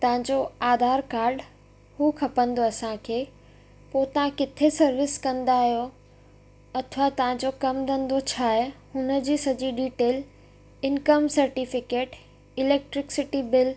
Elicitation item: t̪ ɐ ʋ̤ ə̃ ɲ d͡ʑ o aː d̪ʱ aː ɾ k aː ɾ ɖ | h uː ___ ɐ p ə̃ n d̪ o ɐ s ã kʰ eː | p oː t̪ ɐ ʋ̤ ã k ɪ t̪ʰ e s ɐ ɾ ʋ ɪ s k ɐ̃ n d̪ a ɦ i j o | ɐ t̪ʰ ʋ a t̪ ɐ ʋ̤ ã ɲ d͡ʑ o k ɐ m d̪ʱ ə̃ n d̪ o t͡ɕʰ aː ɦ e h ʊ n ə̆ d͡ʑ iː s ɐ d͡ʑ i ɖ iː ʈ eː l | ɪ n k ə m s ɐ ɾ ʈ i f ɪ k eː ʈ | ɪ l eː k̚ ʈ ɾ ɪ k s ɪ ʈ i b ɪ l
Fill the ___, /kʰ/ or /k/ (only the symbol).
kʰ